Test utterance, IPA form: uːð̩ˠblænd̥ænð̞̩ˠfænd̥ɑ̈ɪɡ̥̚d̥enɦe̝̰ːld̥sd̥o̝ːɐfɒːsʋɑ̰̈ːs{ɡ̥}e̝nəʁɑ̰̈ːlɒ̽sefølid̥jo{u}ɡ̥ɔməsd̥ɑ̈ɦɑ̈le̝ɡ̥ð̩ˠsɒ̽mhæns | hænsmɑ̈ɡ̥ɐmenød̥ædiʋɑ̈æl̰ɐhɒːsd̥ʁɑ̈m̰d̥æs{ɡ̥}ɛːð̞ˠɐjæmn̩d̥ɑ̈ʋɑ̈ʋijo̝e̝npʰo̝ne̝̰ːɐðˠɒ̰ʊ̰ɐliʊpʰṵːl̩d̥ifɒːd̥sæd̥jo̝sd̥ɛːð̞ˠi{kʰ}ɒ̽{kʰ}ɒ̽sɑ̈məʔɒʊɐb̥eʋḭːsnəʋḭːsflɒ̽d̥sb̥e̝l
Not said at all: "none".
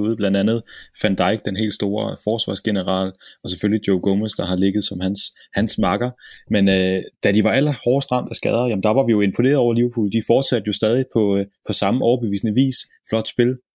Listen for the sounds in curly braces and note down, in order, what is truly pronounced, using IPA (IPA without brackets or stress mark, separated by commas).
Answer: ɡ̥, ʊ, ɡ̥, pʰ, pʰ